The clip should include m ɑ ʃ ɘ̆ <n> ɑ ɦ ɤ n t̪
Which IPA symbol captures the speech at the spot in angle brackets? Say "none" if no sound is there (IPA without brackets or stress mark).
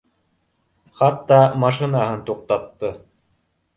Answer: n